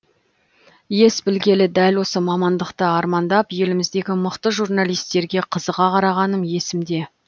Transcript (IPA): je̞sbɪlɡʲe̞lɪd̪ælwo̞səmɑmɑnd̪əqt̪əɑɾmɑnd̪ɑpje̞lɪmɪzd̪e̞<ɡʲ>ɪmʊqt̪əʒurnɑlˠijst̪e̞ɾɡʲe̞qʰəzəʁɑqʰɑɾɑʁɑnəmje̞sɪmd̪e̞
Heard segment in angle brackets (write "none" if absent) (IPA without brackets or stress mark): ɡʲ